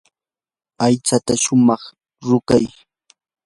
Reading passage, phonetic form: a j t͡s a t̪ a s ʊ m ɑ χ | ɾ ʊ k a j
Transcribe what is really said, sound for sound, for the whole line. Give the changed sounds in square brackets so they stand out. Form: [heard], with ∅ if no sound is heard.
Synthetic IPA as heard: a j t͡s a t̪ a [ʃ] ʊ m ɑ χ | ɾ ʊ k a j